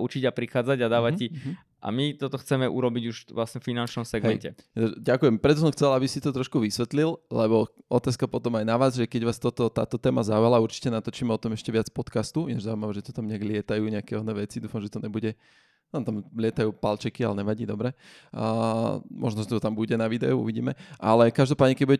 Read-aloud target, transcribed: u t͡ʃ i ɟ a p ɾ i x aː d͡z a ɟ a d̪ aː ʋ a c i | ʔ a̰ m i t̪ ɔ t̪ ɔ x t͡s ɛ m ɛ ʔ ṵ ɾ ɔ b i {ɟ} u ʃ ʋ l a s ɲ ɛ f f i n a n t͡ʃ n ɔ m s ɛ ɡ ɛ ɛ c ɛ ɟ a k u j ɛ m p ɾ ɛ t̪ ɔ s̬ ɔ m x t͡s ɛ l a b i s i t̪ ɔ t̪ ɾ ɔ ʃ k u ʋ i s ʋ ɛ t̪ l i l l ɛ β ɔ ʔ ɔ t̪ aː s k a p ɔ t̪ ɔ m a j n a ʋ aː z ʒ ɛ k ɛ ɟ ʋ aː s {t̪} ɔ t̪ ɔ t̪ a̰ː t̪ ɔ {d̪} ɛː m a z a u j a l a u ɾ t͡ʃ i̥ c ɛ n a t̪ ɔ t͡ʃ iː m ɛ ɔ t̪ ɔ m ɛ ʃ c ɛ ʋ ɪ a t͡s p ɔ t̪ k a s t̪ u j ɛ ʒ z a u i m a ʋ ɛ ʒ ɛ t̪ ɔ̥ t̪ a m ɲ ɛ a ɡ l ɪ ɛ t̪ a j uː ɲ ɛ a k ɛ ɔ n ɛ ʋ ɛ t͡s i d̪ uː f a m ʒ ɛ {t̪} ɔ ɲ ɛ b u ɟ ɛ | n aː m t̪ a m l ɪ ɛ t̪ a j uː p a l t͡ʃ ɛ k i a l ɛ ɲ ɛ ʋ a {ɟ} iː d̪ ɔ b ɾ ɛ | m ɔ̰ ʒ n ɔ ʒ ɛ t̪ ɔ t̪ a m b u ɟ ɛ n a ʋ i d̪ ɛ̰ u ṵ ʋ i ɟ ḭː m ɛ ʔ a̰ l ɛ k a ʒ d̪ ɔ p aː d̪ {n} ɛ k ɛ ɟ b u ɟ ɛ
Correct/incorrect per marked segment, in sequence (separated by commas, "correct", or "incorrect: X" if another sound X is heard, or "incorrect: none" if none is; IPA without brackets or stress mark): correct, correct, incorrect: t̪, correct, correct, incorrect: ɲ